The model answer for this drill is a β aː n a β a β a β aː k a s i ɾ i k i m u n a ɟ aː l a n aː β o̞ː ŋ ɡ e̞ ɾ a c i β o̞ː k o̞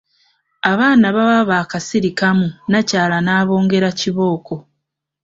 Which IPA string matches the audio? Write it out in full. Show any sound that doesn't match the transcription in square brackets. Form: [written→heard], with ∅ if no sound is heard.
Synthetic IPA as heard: a β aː n a β a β a β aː k a s i ɾ i k [i→a] m u n a [ɟ→c] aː l a n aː β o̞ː ŋ ɡ e̞ ɾ a c i β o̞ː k o̞